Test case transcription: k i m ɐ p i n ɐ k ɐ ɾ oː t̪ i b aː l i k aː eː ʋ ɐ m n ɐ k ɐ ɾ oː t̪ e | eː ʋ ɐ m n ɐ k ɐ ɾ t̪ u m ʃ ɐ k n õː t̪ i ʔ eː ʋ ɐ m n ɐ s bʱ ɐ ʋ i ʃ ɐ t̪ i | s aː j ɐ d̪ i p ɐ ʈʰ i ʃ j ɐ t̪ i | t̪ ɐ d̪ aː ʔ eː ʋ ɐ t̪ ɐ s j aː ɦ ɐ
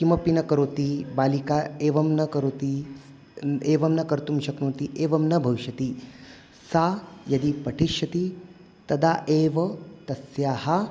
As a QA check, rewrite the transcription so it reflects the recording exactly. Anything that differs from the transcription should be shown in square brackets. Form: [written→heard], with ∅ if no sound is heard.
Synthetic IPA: k i m ɐ p i n ɐ k ɐ ɾ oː t̪ i b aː l i k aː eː ʋ ɐ m n ɐ k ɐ ɾ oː t̪ [e→i] | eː ʋ ɐ m n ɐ k ɐ ɾ t̪ u m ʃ ɐ k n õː t̪ i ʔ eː ʋ ɐ m n ɐ [s→∅] bʱ ɐ ʋ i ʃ ɐ t̪ i | s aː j ɐ d̪ i p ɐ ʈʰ i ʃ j ɐ t̪ i | t̪ ɐ d̪ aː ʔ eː ʋ ɐ t̪ ɐ s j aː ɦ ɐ